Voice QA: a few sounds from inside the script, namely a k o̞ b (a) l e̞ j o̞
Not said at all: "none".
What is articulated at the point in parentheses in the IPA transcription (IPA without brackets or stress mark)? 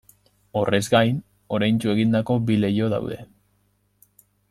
i